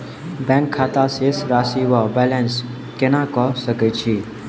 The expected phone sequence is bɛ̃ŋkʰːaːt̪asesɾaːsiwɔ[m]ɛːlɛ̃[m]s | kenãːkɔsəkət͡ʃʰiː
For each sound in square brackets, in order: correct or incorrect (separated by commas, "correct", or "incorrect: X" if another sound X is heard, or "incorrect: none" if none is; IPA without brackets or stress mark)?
incorrect: b, incorrect: n